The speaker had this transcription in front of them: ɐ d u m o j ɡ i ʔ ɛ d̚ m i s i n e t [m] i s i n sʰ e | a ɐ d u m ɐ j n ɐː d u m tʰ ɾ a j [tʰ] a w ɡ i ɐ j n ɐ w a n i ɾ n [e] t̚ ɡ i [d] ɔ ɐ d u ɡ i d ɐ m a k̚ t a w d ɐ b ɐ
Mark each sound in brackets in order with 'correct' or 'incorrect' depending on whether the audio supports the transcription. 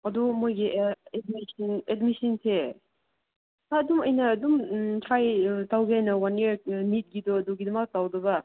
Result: correct, incorrect, incorrect, correct

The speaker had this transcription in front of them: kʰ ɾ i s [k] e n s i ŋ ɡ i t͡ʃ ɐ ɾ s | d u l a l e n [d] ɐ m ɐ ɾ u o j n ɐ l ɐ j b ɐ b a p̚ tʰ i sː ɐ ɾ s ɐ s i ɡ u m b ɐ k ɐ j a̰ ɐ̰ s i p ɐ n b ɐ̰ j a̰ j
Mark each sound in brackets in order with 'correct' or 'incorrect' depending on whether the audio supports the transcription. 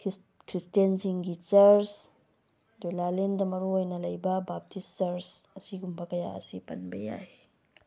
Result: incorrect, correct

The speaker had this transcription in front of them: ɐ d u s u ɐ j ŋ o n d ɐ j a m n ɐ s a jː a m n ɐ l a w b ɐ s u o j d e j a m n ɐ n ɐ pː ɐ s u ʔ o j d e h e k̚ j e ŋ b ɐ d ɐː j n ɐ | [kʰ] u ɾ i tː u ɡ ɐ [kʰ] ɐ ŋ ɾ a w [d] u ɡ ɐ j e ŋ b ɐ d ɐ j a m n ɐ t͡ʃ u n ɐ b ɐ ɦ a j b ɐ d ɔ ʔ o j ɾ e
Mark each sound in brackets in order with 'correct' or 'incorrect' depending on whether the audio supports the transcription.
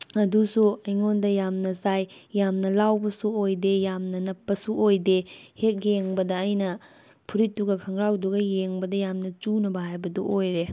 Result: incorrect, correct, correct

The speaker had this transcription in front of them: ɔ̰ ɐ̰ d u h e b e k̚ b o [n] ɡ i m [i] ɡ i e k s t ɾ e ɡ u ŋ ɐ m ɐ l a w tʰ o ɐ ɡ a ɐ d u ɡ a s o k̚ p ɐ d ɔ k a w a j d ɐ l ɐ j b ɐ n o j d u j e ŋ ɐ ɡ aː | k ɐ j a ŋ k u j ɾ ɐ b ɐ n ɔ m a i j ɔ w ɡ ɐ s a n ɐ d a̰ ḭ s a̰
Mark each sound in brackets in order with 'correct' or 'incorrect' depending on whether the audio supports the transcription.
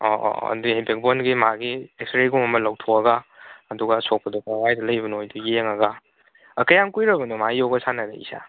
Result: correct, incorrect

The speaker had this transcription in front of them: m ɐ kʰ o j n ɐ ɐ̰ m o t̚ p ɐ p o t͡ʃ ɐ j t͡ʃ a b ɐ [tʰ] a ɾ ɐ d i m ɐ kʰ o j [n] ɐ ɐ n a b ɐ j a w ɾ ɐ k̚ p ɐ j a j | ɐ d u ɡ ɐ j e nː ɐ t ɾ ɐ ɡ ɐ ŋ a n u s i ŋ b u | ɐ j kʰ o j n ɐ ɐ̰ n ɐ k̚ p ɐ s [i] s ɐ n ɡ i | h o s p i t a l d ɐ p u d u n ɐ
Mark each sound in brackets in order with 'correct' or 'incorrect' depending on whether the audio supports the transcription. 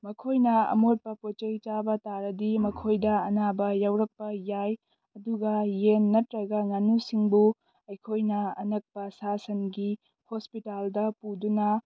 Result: incorrect, incorrect, incorrect

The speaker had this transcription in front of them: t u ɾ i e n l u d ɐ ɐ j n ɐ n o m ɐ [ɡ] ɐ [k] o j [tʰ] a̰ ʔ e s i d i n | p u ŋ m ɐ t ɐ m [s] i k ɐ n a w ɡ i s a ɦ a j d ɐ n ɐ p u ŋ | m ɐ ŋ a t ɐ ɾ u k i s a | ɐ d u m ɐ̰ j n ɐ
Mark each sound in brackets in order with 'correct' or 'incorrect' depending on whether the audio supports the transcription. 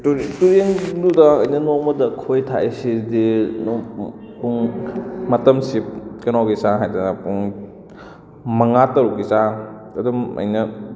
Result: incorrect, incorrect, correct, correct

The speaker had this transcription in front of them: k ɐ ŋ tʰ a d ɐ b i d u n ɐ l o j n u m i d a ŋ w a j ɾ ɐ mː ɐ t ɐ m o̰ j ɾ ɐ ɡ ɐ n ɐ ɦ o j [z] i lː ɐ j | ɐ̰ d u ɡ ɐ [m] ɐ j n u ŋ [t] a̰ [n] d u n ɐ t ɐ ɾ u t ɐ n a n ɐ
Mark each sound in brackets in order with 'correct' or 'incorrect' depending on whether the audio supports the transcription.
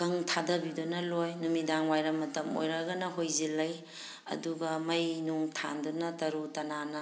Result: correct, correct, incorrect, correct

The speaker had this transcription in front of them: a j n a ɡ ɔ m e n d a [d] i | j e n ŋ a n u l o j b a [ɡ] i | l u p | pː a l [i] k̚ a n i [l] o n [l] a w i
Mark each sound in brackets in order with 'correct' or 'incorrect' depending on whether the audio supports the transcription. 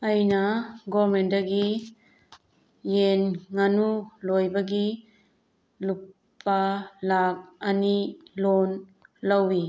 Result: incorrect, correct, incorrect, correct, correct

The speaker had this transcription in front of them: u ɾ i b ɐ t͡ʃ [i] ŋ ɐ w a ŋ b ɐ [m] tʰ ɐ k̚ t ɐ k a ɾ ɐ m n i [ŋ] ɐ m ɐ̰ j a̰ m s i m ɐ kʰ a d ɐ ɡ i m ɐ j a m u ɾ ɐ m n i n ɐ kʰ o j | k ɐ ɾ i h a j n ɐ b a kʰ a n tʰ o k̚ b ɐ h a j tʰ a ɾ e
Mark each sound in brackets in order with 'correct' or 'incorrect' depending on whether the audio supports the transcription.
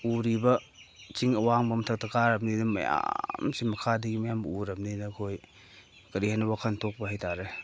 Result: correct, correct, incorrect

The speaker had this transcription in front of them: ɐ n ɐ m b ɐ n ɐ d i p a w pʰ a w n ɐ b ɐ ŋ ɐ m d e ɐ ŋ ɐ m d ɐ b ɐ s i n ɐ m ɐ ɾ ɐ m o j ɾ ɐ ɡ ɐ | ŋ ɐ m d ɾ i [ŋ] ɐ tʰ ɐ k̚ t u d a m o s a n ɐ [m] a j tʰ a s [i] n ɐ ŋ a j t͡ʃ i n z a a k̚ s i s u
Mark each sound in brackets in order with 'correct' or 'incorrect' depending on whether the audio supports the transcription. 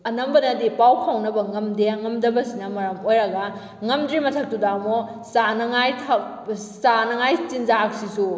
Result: incorrect, incorrect, incorrect

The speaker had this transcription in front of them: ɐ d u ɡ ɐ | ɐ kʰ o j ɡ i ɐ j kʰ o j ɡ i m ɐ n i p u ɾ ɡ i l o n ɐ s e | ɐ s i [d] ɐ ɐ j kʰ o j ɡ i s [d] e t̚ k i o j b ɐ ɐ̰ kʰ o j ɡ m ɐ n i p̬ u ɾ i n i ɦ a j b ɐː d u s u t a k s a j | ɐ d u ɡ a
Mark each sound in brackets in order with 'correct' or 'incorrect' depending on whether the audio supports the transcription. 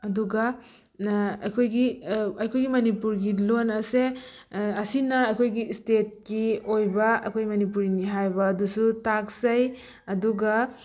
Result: incorrect, incorrect

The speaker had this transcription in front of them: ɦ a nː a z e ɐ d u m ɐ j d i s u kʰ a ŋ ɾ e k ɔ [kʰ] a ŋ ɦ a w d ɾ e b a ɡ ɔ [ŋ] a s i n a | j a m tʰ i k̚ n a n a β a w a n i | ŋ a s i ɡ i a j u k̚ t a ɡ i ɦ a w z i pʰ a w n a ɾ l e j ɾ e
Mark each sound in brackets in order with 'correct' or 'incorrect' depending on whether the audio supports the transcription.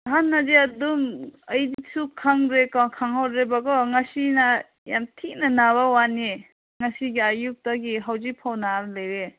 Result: correct, correct

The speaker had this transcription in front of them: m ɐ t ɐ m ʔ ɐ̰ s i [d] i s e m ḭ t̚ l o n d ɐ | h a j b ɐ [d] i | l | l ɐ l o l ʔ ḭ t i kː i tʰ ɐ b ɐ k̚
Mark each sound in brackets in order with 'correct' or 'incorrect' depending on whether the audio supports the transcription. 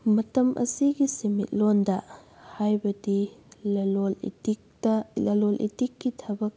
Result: incorrect, correct

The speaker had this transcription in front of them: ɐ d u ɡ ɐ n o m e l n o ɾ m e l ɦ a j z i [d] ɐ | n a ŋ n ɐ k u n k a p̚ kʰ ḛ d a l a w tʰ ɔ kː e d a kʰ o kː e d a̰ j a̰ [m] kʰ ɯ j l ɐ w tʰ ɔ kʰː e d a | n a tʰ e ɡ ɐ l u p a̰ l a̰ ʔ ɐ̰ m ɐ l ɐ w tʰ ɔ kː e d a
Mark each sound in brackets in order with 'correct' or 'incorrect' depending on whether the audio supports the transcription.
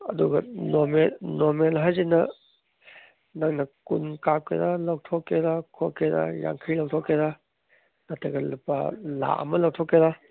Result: incorrect, incorrect

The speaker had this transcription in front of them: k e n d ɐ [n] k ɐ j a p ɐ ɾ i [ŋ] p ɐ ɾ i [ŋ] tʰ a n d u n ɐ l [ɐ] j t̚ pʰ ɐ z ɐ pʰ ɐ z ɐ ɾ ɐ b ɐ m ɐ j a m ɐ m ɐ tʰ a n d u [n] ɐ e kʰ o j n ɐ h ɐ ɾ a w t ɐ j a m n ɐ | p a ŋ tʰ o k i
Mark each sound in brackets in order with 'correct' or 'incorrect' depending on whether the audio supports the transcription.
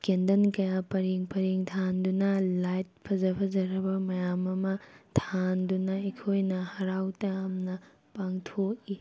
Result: correct, correct, correct, incorrect, correct

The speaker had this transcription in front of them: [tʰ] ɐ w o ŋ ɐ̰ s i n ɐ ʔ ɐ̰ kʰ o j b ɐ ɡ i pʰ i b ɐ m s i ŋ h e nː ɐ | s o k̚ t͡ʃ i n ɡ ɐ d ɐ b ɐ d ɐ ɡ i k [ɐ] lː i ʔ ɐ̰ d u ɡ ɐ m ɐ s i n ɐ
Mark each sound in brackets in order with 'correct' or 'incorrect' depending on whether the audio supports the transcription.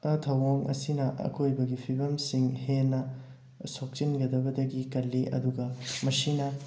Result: correct, correct

